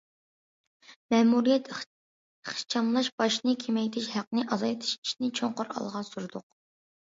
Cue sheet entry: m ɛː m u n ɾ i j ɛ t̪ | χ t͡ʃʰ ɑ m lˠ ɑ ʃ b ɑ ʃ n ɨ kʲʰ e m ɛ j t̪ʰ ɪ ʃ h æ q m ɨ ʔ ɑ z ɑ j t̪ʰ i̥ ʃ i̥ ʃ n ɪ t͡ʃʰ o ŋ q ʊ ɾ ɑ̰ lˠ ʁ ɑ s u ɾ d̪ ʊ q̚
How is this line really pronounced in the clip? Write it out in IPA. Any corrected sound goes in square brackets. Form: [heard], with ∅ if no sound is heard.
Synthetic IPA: m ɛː m u [∅] ɾ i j ɛ t̪ | χ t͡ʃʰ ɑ m lˠ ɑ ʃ b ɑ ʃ n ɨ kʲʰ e m ɛ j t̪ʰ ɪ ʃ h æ q [n] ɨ ʔ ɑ z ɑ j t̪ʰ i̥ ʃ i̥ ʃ n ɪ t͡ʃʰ o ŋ q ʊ ɾ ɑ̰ lˠ ʁ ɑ s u ɾ d̪ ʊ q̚